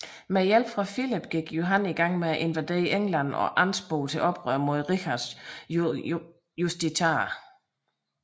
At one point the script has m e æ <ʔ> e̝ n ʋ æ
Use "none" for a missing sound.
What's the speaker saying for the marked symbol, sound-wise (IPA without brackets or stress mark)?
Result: ʔ